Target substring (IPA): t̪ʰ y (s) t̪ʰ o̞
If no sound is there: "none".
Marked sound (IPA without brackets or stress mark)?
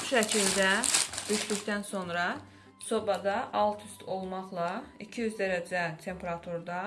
s